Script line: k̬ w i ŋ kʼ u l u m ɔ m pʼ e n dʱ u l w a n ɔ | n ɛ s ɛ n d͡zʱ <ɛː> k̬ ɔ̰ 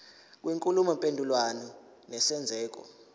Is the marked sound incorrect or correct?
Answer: correct